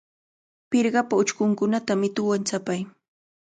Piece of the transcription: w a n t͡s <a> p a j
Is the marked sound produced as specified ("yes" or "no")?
yes